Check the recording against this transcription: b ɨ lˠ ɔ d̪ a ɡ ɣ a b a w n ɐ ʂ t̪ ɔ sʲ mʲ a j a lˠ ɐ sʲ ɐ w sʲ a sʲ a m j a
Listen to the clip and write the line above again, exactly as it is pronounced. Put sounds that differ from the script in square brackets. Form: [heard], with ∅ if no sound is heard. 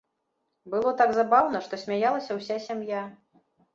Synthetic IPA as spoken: b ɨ lˠ ɔ [t̪] a ɡ [z] a b a w n ɐ ʂ t̪ ɔ sʲ mʲ a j a lˠ ɐ sʲ ɐ w sʲ a sʲ a m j a